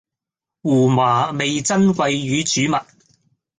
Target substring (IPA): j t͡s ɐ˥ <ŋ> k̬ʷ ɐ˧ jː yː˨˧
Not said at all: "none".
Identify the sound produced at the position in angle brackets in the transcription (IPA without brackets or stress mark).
n